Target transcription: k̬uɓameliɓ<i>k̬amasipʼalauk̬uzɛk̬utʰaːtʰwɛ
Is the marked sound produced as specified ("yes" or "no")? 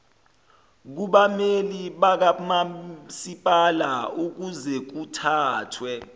no